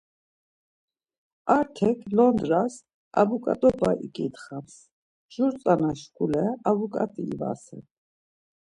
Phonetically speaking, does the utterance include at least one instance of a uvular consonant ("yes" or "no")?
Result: yes